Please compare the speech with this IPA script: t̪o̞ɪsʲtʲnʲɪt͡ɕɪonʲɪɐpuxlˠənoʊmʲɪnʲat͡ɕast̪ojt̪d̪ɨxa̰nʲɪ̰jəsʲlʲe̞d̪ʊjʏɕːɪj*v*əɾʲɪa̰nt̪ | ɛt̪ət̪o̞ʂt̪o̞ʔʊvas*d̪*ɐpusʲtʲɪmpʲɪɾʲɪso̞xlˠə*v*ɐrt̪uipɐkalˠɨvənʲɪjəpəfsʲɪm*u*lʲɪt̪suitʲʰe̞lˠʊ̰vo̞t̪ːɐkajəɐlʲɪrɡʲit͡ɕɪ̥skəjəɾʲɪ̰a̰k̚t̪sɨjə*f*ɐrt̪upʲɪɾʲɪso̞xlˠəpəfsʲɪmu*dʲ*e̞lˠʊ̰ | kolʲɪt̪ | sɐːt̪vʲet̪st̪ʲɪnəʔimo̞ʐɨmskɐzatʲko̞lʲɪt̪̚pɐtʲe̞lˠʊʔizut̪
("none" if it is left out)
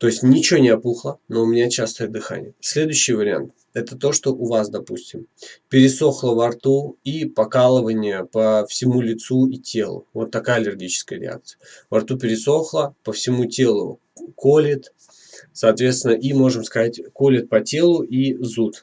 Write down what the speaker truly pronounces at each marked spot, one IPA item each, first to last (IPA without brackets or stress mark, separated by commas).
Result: v, d̪, v, u, v, tʲ